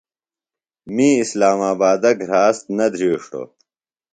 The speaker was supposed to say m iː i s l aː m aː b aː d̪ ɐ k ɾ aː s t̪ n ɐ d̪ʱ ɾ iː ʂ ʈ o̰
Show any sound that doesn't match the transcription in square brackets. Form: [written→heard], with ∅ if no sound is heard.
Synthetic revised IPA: m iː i s l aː m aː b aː d̪ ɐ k ɾ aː s t̪ n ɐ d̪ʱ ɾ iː ʂ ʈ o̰